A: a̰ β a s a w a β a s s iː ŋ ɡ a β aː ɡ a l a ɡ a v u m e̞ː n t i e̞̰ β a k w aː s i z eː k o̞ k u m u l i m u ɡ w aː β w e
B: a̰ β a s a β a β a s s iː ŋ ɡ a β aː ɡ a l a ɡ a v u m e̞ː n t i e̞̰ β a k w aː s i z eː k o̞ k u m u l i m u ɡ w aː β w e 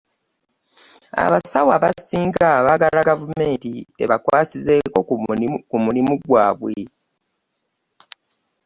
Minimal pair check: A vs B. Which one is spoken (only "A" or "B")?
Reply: A